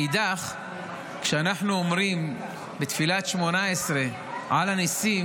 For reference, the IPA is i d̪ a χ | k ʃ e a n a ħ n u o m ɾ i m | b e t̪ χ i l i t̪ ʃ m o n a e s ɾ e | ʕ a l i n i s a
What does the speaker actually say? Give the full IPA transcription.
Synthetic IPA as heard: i d̪ a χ | k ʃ e a n a ħ n u o m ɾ i m | b e t̪ f i l a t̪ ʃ m o n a e s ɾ e | ʕ a l a n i s i